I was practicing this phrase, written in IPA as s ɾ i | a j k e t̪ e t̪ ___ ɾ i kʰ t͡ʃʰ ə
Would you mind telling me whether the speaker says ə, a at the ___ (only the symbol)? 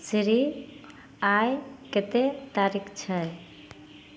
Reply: a